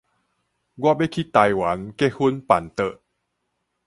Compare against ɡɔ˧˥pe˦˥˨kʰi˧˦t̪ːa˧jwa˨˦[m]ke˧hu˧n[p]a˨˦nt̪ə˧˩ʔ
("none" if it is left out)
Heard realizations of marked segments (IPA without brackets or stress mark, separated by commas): n, p